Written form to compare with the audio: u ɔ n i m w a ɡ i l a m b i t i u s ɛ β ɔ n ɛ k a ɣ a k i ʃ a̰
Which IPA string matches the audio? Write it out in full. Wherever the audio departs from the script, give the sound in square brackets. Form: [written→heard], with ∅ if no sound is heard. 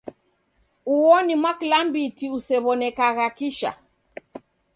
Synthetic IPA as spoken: u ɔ n i m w a [ɡ→k] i l a m b i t i u s ɛ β ɔ n ɛ k a ɣ a k i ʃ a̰